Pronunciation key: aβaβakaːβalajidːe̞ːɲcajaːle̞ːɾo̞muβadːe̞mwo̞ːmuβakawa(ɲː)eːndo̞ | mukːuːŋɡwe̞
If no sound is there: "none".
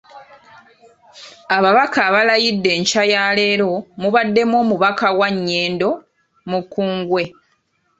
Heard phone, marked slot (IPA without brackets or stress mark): ɲː